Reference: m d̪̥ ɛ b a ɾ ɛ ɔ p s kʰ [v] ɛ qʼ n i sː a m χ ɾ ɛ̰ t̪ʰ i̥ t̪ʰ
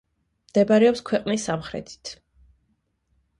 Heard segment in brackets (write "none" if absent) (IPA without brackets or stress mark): w